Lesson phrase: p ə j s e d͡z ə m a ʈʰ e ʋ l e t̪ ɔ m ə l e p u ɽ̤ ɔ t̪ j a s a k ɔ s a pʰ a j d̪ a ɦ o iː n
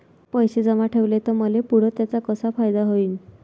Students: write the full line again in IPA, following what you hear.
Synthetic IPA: p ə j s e d͡z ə m a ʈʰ e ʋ l e t̪ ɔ m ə l e p u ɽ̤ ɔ t̪ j a t͡s a k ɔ s a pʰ a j d̪ a ɦ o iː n